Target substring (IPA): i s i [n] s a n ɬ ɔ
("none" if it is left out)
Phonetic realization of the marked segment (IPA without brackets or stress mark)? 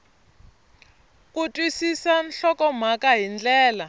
none